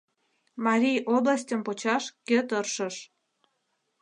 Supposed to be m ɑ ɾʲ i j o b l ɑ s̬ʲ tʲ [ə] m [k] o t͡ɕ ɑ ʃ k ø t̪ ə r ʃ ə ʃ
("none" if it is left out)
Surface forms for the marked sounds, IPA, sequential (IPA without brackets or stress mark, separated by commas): ə, p